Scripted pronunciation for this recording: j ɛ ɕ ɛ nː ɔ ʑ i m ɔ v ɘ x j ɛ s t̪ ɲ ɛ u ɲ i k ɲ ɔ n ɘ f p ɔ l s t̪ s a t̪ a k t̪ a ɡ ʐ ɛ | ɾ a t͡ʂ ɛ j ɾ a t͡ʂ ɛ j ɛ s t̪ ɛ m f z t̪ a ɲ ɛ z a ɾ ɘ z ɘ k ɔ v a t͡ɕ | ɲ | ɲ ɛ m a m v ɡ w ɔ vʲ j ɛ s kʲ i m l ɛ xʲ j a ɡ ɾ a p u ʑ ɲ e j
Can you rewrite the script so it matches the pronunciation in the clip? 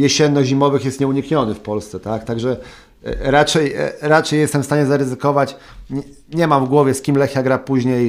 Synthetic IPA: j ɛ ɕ ɛ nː ɔ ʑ i m ɔ v ɘ x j ɛ s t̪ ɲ ɛ u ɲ i k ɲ ɔ n ɘ f p ɔ l s t̪ s ɛ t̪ a k t̪ a ɡ ʐ ɛ | ɾ a t͡ʂ ɛ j ɾ a t͡ʂ ɛ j ɛ s t̪ ɛ m f s t̪ a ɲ ɛ z a ɾ ɘ z ɘ k ɔ v a t͡ɕ | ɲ | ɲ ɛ m a m v ɡ w ɔ vʲ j ɛ s kʲ i m l ɛ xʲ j a ɡ ɾ a p u ʑ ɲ e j